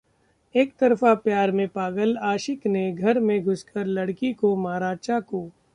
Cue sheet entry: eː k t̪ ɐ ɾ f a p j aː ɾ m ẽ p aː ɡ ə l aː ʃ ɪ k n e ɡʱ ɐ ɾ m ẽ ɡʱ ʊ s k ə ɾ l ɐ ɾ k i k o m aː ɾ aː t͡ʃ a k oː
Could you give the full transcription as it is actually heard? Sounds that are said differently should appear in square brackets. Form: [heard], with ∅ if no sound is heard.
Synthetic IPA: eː k t̪ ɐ ɾ f a p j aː ɾ m ẽ p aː ɡ ə l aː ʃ ɪ k n e ɡʱ ɐ ɾ m ẽ ɡʱ ʊ s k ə ɾ l ɐ [ɽ] k i k o m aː ɾ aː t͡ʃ a k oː

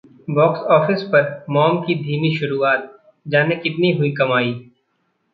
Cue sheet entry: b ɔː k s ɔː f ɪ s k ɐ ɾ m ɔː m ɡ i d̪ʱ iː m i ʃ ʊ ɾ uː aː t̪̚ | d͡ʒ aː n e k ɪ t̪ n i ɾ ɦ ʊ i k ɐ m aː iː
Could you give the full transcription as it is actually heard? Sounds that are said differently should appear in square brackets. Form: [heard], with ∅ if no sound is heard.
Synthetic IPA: b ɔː k s ɔː f ɪ s [p] ɐ ɾ m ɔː m [k] i d̪ʱ iː m i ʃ ʊ ɾ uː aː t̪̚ | d͡ʒ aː n e k ɪ t̪ n i [∅] ɦ ʊ i k ɐ m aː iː

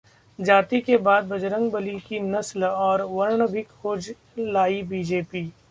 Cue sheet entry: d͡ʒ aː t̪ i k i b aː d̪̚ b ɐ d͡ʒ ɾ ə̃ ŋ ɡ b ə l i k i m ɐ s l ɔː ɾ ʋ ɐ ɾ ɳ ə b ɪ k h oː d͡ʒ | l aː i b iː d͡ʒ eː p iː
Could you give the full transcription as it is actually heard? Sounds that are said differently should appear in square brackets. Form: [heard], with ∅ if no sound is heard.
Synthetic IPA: d͡ʒ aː t̪ i k [e] b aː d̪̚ b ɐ d͡ʒ ɾ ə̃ ŋ ɡ b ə l i k i [n] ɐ s l ɔː ɾ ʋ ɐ ɾ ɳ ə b ɪ k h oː d͡ʒ | l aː i b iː d͡ʒ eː p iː

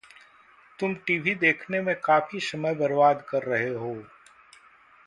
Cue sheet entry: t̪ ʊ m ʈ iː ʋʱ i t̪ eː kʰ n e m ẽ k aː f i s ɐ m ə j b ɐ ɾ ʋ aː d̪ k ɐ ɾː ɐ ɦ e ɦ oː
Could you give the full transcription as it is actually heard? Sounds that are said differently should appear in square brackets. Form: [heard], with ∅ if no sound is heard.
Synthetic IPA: t̪ ʊ m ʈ iː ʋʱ i [d̪] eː kʰ n e m ẽ k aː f i s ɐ m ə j b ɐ ɾ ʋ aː d̪ k ɐ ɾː ɐ ɦ e ɦ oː

